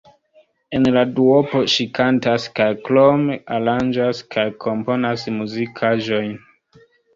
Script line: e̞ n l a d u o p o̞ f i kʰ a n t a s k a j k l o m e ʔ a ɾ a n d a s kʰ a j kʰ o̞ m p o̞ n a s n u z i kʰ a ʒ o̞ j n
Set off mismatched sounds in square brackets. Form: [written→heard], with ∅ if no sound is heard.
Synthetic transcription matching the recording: e̞ n l a d u o p o̞ [f→ʃ] i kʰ a n t a s k a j k l o m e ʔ a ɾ a n [d→d͡ʒ] a s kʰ a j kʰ o̞ m p o̞ n a s [n→m] u z i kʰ a ʒ o̞ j n